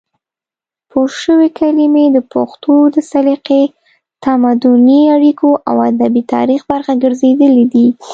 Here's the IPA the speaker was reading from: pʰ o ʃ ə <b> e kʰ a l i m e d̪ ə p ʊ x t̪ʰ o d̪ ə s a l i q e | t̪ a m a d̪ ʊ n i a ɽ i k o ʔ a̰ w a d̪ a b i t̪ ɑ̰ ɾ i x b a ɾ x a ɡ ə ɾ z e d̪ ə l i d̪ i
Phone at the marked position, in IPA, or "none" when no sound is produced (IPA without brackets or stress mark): w